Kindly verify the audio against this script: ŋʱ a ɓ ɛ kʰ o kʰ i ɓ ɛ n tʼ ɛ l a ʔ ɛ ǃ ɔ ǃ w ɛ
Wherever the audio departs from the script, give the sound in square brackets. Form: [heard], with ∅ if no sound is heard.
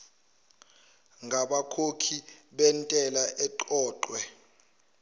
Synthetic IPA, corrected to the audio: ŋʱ a ɓ [a] kʰ o kʰ i ɓ ɛ n tʼ ɛ l a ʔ ɛ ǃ [ɔː] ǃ w ɛ